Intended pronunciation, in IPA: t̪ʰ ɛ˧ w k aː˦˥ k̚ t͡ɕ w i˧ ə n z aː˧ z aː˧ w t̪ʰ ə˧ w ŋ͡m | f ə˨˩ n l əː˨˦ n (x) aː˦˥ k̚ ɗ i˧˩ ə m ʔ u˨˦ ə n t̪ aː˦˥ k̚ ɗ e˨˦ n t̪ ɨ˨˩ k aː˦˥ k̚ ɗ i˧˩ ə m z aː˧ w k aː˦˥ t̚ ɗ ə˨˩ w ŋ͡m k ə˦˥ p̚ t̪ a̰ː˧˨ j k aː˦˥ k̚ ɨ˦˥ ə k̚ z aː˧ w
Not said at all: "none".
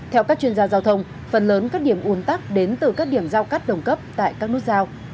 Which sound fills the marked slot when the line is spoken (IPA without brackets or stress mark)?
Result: k